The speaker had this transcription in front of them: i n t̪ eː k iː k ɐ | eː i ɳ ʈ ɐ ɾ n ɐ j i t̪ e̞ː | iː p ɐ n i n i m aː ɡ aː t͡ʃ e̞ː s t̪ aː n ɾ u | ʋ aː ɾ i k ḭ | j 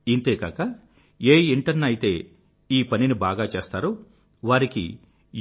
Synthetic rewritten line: i n t̪ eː k aː k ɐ | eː i ɳ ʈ ɐ ɾ n ɐ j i t̪ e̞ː | iː p ɐ n i n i b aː ɡ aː t͡ʃ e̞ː s t̪ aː ɾ u | ʋ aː ɾ i k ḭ | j